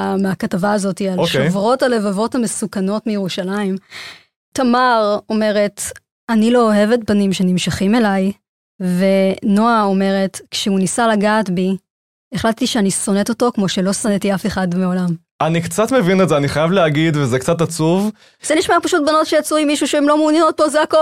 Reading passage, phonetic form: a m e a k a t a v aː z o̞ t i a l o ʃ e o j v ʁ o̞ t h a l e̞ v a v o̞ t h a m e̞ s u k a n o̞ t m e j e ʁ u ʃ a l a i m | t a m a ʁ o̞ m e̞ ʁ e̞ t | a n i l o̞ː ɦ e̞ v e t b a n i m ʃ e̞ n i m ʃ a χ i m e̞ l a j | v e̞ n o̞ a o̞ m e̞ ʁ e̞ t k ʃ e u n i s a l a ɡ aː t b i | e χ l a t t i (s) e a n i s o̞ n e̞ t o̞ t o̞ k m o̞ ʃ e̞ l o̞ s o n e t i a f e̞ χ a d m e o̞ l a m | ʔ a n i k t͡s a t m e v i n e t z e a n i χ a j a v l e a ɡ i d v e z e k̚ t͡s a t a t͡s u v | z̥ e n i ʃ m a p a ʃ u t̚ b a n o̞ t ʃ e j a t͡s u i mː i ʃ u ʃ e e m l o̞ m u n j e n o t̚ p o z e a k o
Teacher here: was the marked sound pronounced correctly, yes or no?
no